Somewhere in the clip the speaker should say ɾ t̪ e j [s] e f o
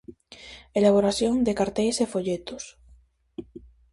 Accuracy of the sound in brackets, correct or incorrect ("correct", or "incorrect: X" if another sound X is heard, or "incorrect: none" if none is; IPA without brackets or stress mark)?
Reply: correct